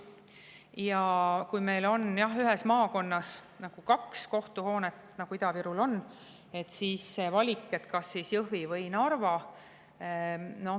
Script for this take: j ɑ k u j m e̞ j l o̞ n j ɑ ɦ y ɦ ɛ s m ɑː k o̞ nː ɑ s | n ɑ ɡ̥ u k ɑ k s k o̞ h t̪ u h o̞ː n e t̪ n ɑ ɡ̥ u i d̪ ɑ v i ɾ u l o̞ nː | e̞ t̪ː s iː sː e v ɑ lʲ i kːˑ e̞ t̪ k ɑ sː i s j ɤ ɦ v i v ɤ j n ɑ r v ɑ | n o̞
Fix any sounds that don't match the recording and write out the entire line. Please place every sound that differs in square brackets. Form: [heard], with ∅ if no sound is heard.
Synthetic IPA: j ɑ k u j m e̞ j l o̞ n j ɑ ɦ y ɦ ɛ s m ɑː k o̞ nː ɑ s | n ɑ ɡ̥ u k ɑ k s k o̞ h t̪ u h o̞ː n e t̪ n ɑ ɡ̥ u i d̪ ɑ v i ɾ u l o̞ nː | e̞ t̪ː s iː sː e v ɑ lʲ i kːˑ e̞ t̪ k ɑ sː i s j ɤ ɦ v i v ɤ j n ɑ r v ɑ | n o̞